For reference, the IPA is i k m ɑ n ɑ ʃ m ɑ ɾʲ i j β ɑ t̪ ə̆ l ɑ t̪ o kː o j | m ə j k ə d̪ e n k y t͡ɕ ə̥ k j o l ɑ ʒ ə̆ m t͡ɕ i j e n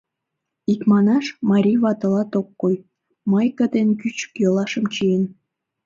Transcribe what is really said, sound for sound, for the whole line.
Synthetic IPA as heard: i k m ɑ n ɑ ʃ m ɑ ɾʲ i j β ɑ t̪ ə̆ l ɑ t̪ o kː o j | m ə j k ə d̪ e n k y t͡ɕ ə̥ k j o l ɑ ʃ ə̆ m t͡ɕ i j e n